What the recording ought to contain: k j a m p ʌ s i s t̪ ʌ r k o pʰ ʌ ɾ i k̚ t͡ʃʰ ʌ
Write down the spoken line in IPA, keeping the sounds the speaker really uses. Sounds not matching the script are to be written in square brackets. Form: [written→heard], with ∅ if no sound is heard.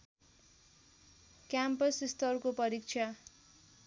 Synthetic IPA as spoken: k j a m p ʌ s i s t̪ ʌ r k o [pʰ→p] ʌ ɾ i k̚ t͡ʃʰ [ʌ→a]